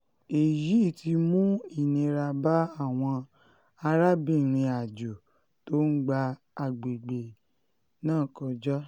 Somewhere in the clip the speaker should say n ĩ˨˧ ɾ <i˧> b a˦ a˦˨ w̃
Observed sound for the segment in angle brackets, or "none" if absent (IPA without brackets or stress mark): a˧